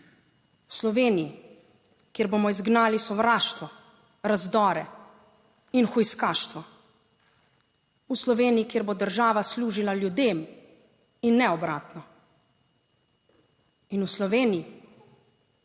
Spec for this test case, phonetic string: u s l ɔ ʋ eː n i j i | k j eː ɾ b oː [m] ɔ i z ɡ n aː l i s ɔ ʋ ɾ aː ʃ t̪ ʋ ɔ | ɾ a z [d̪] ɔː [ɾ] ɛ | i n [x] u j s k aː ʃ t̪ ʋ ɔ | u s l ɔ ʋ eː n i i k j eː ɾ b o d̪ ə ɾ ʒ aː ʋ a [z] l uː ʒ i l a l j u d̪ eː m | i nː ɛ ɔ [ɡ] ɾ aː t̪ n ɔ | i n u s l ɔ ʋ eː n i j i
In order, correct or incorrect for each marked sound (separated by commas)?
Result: correct, correct, correct, correct, incorrect, incorrect